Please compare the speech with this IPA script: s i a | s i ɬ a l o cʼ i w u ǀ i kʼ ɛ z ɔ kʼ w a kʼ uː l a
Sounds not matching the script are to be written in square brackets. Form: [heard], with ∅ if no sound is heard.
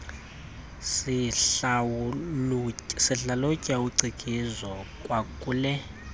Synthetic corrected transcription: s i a | s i ɬ a l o cʼ [a] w u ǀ i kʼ [i] z ɔ kʼ w a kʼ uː l [ɛ]